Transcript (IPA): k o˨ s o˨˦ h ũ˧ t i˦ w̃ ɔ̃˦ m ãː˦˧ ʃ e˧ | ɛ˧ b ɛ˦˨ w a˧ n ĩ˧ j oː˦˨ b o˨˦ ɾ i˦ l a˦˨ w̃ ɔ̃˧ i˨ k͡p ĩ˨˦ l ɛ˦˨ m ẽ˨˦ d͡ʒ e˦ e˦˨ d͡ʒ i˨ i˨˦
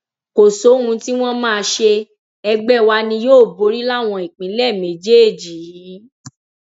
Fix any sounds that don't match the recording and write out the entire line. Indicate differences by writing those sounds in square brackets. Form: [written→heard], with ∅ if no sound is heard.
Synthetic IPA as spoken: k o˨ s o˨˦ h ũ˧ t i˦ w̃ ɔ̃˦ m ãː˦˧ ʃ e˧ | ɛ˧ [b→ɡ͡b] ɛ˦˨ w a˧ n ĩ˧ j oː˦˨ b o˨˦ ɾ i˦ l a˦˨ w̃ ɔ̃˧ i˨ k͡p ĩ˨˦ l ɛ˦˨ m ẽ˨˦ d͡ʒ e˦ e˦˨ d͡ʒ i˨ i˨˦